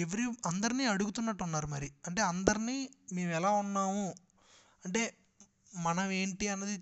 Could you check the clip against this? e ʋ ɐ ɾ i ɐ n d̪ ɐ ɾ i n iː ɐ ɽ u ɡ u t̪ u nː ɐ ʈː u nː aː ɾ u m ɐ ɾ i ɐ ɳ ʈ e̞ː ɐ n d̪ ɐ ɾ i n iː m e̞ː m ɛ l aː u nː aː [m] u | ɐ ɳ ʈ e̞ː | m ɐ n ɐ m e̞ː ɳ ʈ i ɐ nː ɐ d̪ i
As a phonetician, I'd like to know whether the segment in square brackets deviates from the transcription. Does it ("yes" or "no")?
no